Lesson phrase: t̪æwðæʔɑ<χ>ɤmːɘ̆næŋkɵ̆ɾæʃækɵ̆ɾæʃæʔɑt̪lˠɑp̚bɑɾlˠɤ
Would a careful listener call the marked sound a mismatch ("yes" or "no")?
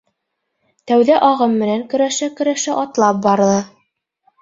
yes